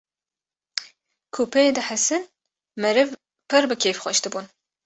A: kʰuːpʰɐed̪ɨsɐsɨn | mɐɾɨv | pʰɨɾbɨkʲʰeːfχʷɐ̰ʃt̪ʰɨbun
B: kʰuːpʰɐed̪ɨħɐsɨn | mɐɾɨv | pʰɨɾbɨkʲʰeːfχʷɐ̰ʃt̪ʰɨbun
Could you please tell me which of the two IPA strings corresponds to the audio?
B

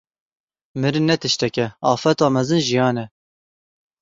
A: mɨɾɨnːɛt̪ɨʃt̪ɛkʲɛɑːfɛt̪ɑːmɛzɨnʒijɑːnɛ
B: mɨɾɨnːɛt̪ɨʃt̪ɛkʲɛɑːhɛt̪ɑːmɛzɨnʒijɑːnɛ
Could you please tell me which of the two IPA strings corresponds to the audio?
A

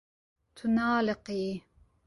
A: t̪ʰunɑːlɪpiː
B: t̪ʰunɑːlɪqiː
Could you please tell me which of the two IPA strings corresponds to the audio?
B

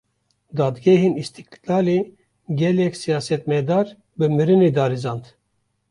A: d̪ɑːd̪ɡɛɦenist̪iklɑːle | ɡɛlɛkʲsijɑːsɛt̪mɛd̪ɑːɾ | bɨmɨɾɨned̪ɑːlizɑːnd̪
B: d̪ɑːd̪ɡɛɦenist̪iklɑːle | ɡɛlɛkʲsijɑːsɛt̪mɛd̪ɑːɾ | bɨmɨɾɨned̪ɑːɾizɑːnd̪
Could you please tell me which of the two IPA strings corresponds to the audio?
B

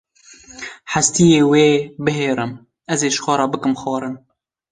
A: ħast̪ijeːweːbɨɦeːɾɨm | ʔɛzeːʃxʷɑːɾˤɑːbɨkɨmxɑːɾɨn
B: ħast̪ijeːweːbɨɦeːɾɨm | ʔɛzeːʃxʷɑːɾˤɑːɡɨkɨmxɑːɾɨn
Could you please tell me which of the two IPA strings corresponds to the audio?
A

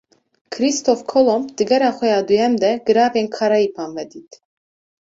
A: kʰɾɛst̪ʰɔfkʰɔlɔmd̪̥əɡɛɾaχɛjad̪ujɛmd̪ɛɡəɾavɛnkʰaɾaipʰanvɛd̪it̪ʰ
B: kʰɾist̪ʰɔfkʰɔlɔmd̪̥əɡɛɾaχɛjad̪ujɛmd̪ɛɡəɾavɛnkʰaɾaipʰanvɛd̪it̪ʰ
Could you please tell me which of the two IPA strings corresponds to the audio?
B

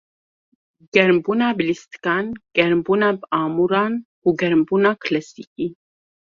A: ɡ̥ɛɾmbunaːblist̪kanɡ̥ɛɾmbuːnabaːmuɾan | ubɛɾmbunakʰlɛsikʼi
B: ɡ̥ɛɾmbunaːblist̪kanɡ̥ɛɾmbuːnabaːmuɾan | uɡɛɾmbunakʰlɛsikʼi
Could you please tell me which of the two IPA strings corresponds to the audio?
B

